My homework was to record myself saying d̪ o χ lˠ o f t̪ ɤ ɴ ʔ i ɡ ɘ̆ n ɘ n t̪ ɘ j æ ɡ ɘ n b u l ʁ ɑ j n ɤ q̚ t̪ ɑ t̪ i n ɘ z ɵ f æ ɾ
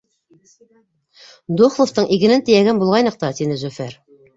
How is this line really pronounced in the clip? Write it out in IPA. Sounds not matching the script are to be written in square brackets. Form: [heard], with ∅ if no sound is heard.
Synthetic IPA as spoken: d̪ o χ lˠ o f t̪ ɤ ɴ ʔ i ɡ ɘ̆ n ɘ n t̪ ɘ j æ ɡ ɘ n b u l ʁ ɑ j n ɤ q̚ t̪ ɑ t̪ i n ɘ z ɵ f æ ɾ